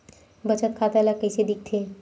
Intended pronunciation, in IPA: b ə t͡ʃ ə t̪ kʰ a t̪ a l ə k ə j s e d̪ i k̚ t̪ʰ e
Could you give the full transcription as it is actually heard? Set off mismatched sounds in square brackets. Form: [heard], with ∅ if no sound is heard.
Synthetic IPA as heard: b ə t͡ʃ ə t̪ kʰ a t̪ a l [a] k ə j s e d̪ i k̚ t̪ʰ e